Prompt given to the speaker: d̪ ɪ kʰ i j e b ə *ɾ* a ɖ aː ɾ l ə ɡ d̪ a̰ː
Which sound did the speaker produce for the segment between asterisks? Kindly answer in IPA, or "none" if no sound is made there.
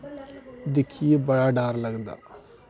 ɽ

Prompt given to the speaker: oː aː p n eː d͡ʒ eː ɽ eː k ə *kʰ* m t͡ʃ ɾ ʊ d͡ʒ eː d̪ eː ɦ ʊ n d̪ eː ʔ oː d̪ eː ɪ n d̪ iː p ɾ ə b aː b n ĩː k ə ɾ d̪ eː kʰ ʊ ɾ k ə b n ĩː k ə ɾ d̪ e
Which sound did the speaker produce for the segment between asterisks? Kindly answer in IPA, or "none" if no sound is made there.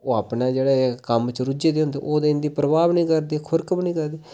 none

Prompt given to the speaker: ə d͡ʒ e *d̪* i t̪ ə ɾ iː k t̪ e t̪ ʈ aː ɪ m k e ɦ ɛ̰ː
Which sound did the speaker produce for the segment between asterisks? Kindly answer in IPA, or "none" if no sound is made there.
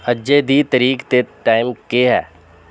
d̪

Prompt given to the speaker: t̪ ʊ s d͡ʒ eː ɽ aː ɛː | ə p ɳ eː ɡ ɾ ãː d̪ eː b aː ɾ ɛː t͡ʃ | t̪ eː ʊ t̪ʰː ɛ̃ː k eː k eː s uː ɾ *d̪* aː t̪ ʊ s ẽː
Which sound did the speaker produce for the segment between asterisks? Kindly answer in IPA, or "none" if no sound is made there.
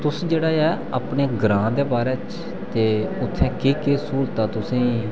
t̪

